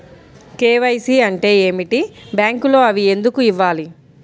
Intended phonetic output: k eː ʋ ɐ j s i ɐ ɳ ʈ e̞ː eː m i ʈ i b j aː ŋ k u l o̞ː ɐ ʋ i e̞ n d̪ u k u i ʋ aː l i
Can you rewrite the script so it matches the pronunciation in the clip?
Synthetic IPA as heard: k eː ʋ ɐ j s i ɐ ɳ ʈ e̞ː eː m i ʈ i b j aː ŋ k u l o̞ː ɐ ʋ i e̞ n d̪ u k u i ʋː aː l i